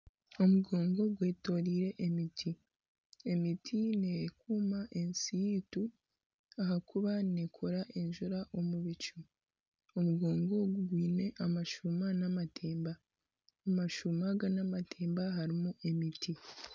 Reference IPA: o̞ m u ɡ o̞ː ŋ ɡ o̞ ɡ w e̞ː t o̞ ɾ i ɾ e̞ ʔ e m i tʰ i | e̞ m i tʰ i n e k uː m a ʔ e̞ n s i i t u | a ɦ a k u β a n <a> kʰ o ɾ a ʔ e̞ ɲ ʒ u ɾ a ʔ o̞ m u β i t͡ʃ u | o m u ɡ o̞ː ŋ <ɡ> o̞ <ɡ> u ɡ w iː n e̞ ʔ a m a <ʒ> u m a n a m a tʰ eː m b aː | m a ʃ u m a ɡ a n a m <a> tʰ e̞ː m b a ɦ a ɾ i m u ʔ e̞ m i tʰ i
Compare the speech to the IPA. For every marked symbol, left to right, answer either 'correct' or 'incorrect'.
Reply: incorrect, correct, correct, incorrect, correct

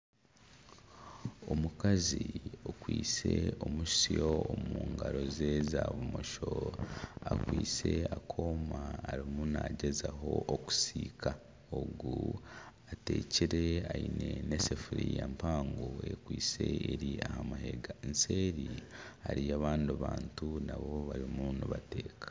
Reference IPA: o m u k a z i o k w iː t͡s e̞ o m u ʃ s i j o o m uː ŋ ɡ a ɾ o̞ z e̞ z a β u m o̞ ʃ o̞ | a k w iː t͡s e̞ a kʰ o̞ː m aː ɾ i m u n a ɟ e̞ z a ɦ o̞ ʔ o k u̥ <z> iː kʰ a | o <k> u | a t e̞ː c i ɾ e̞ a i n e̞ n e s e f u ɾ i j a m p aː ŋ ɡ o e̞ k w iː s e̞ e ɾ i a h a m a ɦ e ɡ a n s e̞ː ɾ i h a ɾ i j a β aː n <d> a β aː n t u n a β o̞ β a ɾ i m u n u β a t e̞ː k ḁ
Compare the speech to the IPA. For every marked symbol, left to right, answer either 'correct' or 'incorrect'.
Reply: incorrect, incorrect, correct

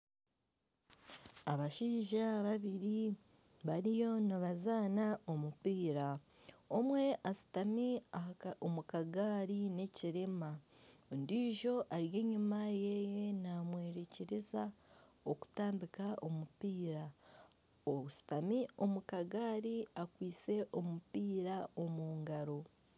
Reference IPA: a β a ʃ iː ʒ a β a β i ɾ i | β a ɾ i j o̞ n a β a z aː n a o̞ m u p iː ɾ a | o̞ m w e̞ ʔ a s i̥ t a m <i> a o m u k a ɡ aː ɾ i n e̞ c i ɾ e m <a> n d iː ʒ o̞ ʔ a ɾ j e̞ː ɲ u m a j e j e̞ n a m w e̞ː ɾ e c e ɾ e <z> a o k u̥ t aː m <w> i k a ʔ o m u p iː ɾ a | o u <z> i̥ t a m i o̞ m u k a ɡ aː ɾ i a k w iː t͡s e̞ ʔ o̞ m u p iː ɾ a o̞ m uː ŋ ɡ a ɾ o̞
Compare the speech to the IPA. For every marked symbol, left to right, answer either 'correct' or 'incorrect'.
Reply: correct, correct, correct, incorrect, incorrect

